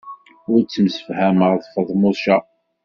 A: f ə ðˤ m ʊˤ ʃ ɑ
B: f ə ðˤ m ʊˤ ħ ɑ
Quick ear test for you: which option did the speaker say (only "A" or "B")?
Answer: A